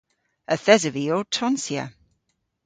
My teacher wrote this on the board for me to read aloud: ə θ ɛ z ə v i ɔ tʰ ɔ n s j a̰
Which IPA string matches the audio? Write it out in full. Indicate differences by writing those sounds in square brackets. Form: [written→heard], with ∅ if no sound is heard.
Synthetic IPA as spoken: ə θ ɛ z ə v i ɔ tʰ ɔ n s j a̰